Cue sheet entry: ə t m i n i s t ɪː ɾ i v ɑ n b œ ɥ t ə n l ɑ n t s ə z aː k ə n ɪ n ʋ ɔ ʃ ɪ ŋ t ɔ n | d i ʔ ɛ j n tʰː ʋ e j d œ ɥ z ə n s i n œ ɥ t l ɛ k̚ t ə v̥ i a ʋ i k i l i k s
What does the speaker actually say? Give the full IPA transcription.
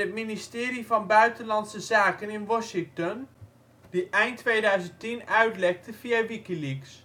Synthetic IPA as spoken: ə t m i n i s t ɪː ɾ i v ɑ n b œ ɥ t ə n l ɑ n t s ə z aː k ə n ɪ n ʋ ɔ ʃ ɪ ŋ t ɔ n | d i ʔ ɛ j n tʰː ʋ e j d œ ɥ z ə n t i n œ ɥ t l ɛ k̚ t ə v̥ i a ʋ i k i l i k s